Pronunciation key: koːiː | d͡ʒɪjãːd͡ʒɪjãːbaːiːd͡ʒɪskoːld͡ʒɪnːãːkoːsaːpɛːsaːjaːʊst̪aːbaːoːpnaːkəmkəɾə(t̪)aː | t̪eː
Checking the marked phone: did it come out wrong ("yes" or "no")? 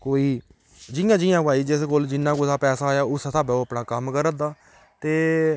yes